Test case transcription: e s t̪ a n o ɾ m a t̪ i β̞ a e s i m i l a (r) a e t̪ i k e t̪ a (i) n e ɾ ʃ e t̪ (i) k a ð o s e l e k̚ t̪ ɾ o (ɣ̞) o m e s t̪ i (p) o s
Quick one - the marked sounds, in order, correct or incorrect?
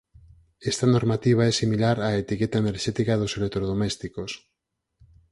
incorrect, incorrect, correct, incorrect, incorrect

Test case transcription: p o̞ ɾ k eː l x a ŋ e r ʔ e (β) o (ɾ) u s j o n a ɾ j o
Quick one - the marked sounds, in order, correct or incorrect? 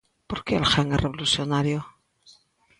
correct, incorrect

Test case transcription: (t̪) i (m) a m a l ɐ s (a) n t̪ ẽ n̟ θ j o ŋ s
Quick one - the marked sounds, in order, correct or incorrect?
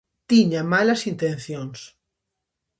correct, incorrect, incorrect

